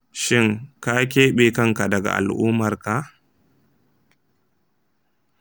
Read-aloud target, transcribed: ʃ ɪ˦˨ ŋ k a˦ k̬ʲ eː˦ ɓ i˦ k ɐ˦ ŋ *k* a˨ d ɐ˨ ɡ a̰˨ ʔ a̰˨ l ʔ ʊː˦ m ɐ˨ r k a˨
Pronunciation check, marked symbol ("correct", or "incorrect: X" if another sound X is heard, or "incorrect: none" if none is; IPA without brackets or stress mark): correct